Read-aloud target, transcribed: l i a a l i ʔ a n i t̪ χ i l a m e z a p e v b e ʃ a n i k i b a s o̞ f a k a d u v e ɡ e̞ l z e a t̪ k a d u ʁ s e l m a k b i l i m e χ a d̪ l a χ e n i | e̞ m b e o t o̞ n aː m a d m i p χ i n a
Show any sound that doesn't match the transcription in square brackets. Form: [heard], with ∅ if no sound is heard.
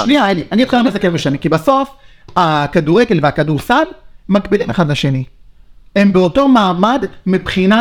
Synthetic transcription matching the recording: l i a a l i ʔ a n i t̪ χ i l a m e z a [k] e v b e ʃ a n i k i b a s o̞ f a k a d u [ʁ] e ɡ e̞ l [v] e a [∅] k a d u ʁ s [a] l m a k b i l i m e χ a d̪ l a [ʃ] e n i | e̞ m b e o t o̞ [m] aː m a d m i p χ i n a